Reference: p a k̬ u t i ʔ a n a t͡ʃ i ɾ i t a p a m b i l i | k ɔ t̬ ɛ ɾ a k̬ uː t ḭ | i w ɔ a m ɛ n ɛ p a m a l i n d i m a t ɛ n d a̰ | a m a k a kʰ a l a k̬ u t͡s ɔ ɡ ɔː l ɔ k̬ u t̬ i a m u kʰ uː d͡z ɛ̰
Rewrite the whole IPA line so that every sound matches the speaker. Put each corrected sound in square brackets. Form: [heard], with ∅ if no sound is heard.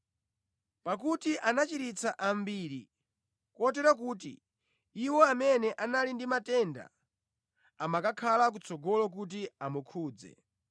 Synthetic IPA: p a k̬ u t i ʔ a n a t͡ʃ i ɾ i [t͡s] a [ʔ] a m b i [ɾ] i | k ɔ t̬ ɛ ɾ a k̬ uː t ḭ | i w ɔ a m ɛ n ɛ [ʔ] a [n] a l i n d i m a t ɛ n d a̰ | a m a k a kʰ a l a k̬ u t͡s ɔ ɡ [ɔ] l ɔ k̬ u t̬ i a m u kʰ uː d͡z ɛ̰